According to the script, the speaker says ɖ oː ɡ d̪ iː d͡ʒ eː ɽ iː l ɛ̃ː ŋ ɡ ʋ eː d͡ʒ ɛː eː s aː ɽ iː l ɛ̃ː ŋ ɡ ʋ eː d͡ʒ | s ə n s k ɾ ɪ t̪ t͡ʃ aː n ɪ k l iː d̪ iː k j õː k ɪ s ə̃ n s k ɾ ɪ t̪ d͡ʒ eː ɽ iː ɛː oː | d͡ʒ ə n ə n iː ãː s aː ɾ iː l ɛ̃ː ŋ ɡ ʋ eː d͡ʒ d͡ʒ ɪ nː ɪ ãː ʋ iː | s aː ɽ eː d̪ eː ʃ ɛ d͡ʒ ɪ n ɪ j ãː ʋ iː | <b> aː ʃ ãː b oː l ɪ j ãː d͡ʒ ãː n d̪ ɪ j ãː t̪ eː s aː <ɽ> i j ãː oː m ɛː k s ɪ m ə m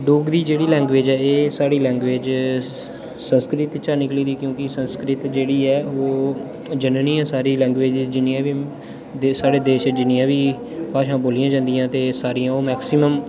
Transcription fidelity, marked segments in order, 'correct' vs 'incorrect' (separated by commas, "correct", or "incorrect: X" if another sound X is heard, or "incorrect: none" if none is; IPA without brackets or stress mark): incorrect: p, incorrect: ɾ